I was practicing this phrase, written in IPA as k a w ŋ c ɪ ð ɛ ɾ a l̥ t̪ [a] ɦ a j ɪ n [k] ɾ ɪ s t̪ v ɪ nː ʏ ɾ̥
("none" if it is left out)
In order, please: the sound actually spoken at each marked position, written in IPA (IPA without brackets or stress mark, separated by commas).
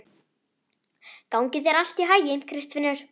i, kʰ